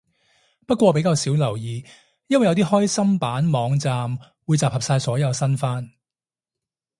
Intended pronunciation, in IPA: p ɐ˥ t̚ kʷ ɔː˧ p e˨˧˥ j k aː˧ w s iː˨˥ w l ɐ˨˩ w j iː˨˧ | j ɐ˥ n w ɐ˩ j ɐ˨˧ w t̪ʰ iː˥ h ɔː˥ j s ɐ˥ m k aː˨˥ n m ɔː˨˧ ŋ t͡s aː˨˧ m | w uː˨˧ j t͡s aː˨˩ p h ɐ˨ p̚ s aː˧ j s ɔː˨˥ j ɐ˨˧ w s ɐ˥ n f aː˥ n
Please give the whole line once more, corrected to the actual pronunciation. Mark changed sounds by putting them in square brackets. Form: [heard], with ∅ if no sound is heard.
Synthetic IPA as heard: p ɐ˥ t̚ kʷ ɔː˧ p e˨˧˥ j k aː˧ w s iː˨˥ w l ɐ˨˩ w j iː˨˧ | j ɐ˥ n w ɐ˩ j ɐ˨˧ w [t̪] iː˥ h ɔː˥ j s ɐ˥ m [p] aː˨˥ n m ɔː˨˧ ŋ t͡s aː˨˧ m | w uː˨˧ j t͡s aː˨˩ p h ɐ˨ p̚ s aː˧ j s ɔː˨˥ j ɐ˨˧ w s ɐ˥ n f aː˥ n